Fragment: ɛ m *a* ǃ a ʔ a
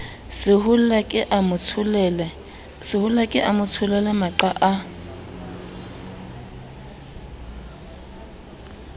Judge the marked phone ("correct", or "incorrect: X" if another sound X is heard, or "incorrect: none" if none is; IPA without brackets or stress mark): correct